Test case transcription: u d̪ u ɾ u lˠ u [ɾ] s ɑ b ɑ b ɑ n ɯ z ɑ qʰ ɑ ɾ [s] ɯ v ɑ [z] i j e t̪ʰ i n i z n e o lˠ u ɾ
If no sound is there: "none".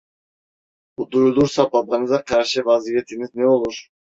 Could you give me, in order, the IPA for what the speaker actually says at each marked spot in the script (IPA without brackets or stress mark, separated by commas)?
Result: ɾ, ʃ, z